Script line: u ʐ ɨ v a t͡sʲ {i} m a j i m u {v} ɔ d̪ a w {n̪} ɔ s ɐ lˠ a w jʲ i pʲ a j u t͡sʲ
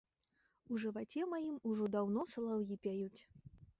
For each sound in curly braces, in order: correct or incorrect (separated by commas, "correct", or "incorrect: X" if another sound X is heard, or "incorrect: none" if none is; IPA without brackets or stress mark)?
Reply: incorrect: ɛ, incorrect: ʐ, correct